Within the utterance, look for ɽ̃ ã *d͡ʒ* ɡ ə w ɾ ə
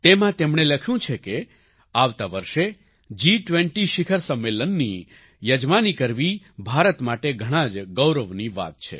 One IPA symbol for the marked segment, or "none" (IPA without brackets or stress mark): d͡ʒ